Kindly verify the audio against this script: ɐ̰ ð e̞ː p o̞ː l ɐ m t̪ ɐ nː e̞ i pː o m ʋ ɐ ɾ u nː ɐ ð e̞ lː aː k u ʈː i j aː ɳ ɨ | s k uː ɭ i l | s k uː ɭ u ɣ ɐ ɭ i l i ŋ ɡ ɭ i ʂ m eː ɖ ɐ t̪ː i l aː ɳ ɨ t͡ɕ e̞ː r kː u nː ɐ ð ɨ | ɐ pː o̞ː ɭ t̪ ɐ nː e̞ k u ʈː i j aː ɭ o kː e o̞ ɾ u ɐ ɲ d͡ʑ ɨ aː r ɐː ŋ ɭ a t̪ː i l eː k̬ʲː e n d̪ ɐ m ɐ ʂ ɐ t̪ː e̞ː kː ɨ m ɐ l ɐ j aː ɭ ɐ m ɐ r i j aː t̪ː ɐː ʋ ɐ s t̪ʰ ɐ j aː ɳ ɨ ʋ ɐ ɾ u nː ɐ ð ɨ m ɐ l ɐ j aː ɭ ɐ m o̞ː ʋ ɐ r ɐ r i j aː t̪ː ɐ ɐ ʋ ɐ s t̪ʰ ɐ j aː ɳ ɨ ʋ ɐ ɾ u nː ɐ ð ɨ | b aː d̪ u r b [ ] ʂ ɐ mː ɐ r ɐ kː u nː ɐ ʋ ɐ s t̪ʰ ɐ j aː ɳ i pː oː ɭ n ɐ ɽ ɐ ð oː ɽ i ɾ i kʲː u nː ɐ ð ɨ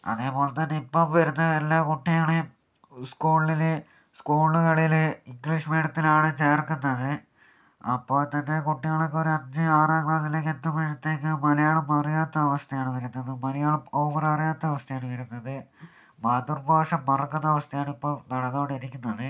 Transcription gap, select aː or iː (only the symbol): aː